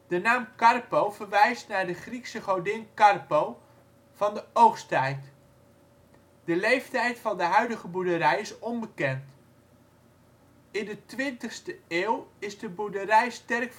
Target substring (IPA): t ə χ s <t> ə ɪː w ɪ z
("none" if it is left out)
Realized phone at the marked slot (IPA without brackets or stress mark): t